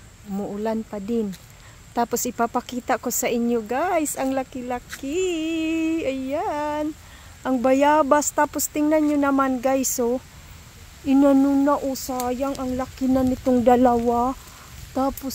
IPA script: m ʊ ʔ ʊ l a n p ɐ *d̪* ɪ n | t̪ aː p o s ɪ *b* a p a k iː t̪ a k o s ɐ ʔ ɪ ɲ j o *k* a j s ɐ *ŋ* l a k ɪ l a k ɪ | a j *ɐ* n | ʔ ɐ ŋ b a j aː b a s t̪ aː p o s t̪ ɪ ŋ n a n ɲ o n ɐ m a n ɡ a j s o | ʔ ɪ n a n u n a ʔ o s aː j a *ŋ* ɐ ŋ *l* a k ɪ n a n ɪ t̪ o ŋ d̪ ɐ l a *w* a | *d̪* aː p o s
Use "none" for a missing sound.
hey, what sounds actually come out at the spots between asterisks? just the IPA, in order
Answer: d̪, p, ɡ, ŋ, a, ŋ, l, w, t̪

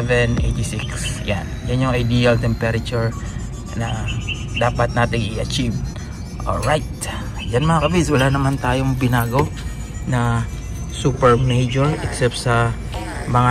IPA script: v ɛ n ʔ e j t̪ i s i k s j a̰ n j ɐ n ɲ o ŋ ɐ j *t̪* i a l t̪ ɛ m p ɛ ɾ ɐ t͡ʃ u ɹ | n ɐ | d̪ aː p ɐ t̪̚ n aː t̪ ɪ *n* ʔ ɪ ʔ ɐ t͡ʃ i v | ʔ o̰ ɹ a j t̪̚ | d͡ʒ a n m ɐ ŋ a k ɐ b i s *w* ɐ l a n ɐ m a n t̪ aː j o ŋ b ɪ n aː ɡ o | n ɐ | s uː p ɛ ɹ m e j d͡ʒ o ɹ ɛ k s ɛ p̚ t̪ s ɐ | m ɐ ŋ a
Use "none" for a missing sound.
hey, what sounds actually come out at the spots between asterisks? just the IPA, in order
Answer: d̪, ŋ, w

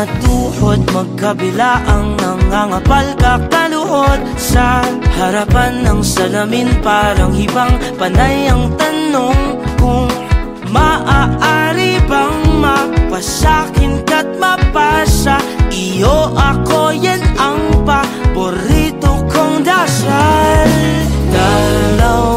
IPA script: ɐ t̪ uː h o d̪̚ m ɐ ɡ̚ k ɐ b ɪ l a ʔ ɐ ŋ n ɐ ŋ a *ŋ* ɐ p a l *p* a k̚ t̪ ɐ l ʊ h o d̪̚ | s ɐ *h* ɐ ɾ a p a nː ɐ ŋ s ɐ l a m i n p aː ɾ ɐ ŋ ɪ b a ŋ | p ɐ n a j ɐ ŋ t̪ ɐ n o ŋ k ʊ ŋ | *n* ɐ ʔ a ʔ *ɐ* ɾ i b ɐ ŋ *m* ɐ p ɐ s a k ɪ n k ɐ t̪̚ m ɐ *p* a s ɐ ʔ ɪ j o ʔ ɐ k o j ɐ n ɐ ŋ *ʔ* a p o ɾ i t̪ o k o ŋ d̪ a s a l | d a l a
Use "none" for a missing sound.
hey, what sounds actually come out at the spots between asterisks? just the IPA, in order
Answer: ŋ, k, h, m, a, m, p, p

